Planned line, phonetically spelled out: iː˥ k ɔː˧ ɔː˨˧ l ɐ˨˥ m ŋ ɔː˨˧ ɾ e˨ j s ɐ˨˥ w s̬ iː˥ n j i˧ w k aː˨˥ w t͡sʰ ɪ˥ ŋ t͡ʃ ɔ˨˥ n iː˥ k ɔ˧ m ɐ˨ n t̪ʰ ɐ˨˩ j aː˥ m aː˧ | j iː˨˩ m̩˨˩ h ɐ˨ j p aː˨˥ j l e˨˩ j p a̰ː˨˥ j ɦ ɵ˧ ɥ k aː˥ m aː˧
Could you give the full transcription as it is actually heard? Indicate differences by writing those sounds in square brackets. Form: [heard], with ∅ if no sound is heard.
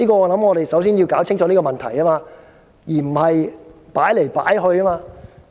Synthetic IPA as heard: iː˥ k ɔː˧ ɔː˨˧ l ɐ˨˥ m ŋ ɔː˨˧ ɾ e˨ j s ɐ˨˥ w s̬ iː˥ n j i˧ w k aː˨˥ w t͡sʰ ɪ˥ ŋ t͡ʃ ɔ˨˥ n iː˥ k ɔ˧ m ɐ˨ n t̪ʰ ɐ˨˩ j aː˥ m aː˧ | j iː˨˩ m̩˨˩ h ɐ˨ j p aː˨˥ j l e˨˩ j p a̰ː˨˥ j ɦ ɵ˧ ɥ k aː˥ m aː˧